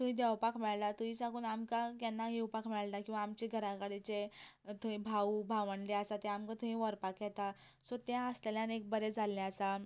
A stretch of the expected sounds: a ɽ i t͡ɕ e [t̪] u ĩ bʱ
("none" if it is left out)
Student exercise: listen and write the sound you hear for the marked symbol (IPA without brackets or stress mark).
t̪